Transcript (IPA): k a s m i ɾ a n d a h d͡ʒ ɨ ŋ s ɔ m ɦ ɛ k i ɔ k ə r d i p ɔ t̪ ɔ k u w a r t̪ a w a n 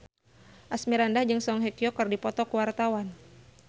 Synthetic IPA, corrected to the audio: ʔ a s m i ɾ a n d a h d͡ʒ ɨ ŋ s ɔ ŋ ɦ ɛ k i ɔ k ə r d i p ɔ t̪ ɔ k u w a r t̪ a w a n